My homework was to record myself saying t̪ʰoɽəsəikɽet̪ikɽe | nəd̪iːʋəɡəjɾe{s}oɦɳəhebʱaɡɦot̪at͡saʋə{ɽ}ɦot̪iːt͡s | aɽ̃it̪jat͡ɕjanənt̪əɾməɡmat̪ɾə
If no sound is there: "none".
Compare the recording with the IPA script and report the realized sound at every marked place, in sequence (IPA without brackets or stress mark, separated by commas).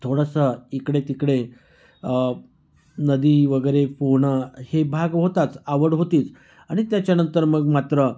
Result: f, ɽ